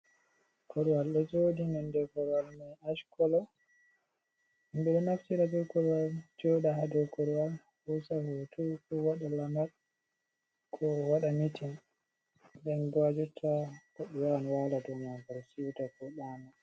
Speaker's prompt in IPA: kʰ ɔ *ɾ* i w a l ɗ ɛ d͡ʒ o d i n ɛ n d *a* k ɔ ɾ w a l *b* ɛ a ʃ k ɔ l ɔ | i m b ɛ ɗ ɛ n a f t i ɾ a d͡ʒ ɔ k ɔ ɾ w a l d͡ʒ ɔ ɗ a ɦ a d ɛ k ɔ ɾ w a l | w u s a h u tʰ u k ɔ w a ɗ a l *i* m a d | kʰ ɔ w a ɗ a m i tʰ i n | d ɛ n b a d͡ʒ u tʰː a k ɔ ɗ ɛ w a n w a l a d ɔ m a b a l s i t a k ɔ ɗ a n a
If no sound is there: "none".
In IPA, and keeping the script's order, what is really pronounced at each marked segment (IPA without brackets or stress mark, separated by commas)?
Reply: ɾ, ɛ, m, a